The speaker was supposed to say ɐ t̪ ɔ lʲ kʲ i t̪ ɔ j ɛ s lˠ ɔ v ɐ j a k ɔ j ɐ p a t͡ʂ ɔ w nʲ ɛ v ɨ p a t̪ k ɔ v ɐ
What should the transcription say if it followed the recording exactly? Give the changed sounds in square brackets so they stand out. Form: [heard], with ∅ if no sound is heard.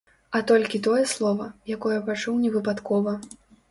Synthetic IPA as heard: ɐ t̪ ɔ lʲ kʲ i t̪ ɔ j ɛ s lˠ ɔ v ɐ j a k ɔ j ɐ p a t͡ʂ [u] w nʲ ɛ v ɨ p a t̪ k ɔ v ɐ